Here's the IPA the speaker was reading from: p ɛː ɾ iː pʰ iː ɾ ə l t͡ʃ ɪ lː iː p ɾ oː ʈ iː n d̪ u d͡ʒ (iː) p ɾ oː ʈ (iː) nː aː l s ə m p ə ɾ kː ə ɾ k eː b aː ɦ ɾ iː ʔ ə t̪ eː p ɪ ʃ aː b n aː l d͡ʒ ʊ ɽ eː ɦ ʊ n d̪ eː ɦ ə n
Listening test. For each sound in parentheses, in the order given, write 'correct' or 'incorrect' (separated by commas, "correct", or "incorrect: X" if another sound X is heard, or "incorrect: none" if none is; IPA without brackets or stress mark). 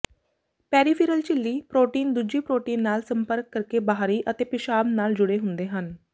correct, correct